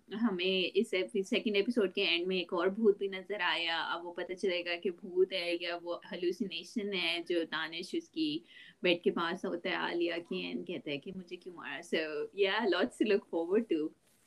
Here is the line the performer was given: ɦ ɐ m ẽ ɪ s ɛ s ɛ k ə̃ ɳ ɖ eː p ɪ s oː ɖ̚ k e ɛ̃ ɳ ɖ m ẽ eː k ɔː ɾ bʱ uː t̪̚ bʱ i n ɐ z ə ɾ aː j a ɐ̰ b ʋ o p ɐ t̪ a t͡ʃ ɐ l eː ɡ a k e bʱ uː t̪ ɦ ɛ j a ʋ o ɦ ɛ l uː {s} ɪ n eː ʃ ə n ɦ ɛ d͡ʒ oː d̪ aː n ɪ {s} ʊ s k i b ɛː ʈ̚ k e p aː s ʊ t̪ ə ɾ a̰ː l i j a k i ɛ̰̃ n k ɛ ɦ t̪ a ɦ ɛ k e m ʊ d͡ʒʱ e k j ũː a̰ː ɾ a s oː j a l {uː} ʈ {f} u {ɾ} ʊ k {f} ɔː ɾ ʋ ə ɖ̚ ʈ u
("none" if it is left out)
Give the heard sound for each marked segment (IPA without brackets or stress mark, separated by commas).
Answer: s, ʃ, ɔː, s, l, f